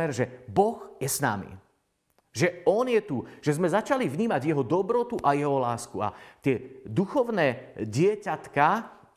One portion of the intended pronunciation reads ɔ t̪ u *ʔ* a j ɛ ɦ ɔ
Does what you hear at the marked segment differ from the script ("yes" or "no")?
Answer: no